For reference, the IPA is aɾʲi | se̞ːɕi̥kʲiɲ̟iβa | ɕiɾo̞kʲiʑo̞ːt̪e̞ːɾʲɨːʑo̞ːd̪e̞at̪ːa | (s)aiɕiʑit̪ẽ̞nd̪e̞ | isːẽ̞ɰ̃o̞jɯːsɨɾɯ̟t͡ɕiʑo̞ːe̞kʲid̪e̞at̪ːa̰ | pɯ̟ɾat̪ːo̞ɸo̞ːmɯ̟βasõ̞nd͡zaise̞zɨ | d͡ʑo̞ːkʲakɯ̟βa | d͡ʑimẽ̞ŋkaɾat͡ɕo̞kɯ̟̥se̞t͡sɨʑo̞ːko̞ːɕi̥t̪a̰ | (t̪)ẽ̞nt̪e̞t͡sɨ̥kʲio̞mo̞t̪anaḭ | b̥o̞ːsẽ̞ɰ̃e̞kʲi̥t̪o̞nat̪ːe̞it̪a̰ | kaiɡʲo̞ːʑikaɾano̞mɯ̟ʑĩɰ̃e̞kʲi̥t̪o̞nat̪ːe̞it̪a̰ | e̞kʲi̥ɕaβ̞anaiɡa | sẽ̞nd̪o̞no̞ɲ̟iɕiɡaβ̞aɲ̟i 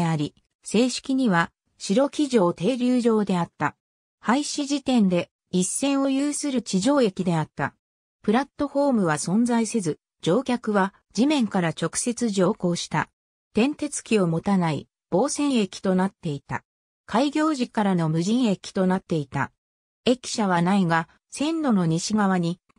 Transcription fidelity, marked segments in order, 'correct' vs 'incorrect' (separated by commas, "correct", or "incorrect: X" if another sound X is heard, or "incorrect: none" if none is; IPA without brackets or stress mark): incorrect: h, correct